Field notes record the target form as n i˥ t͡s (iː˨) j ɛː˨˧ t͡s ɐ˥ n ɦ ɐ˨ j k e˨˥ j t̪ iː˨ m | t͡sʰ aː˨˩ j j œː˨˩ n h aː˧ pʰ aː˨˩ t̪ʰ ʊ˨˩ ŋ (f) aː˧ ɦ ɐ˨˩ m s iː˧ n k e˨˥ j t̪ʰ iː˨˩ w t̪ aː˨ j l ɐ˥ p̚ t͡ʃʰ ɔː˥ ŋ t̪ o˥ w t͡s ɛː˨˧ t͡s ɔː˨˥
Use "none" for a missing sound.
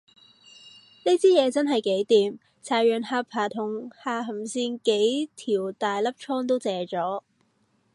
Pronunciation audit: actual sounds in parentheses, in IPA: iː˥, h

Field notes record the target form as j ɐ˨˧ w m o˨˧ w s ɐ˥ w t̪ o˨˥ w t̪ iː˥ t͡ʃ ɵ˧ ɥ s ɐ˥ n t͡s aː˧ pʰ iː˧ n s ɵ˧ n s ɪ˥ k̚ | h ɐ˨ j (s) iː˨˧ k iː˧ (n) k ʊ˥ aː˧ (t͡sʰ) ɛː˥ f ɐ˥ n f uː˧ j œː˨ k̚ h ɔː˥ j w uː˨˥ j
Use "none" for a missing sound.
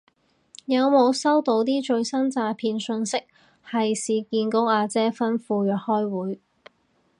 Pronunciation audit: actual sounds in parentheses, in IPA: s, n, t͡s

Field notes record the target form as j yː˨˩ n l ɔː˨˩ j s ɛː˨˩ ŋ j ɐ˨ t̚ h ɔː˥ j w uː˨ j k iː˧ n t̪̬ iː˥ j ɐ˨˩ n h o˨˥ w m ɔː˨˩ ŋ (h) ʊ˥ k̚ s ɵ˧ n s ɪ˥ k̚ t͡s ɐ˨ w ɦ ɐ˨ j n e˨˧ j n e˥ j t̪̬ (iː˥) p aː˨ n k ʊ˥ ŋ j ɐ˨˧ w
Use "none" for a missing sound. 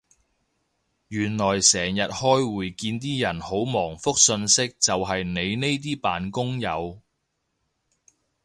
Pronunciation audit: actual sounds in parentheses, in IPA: f, iː˥

